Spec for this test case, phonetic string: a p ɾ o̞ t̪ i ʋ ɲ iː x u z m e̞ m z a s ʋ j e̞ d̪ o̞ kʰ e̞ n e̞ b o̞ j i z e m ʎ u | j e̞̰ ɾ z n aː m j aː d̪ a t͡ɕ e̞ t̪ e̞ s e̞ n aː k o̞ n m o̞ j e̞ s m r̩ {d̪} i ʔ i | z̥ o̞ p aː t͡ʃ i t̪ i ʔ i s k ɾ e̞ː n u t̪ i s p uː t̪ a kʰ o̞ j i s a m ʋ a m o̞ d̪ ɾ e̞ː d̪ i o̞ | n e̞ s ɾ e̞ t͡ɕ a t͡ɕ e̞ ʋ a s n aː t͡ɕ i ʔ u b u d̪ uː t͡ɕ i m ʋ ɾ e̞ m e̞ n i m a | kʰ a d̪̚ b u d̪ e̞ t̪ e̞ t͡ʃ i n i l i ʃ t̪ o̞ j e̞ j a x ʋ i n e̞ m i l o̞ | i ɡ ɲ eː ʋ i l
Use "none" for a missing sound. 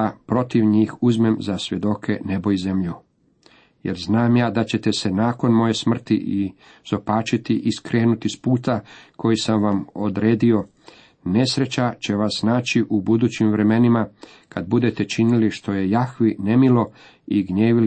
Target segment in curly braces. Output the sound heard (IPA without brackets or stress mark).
t̪